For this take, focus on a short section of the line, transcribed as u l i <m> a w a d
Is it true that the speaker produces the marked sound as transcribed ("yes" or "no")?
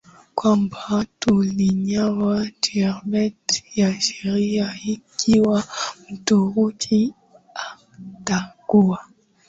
no